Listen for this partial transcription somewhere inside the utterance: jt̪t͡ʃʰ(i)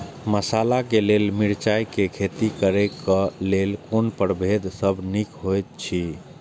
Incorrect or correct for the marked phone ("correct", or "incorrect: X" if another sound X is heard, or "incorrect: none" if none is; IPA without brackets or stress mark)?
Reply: correct